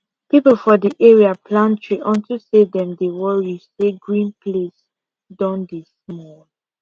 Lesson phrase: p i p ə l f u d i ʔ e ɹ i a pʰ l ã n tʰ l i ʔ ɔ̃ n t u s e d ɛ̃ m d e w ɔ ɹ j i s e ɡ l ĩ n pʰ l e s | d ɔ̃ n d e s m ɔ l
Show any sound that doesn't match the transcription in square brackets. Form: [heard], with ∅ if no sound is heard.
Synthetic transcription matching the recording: p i p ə l f [ɔ] d i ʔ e ɹ i a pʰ l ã n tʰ [ɹ] i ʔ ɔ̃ n t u s e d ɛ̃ m d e w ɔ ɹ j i s e ɡ [ɹ] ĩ n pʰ l e s | d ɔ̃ n d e s m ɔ l